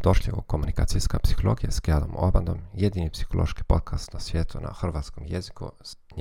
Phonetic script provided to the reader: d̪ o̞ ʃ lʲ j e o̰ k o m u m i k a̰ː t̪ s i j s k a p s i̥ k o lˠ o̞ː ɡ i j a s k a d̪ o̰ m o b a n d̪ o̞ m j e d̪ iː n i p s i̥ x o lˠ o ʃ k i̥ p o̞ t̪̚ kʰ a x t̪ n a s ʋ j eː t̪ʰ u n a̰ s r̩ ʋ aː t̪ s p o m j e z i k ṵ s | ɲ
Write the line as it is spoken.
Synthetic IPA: d̪ o̞ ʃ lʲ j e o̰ k o m u n i k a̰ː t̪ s i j s k a p s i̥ x o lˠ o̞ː ɡ i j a s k a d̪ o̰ m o b a n d̪ o̞ m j e d̪ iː n i p s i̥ x o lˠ o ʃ k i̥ p o̞ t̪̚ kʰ a s t̪ n a s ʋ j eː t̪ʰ u n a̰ x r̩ ʋ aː t̪ s k o m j e z i k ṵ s | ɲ